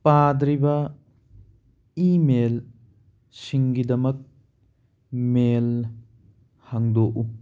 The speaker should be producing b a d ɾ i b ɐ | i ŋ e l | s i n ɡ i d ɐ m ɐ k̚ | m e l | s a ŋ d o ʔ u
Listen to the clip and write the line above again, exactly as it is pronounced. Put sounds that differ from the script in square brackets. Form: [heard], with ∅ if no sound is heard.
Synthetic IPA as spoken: [p] a d ɾ i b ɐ | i [m] e l | s i [ŋ] ɡ i d ɐ m ɐ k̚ | m e l | [h] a ŋ d o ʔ u